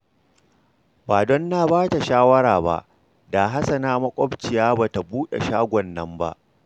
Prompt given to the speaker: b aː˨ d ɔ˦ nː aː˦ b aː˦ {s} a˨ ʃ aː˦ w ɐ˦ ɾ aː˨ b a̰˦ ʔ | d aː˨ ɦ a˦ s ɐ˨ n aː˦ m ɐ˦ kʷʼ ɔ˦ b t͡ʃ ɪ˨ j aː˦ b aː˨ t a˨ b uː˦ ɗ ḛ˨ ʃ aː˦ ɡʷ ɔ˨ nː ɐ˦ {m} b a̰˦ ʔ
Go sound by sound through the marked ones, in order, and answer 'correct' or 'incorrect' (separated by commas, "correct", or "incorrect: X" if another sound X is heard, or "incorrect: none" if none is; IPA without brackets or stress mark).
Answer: incorrect: t, correct